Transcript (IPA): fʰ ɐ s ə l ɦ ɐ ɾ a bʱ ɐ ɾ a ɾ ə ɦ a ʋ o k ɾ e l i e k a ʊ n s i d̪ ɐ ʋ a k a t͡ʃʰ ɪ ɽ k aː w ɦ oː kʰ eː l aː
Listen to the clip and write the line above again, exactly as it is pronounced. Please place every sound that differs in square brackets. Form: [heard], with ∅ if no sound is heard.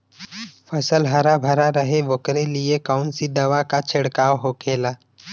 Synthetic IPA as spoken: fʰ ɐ s ə l ɦ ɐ ɾ a bʱ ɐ ɾ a ɾ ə ɦ [e] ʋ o k ɾ e l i e k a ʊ n s i d̪ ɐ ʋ a k a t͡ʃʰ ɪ ɽ k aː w ɦ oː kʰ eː l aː